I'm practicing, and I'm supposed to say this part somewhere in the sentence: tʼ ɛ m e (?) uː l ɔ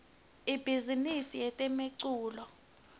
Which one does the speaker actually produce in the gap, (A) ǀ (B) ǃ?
A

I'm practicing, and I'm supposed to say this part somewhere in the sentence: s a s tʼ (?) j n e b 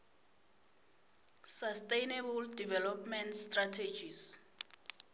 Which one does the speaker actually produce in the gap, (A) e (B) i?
A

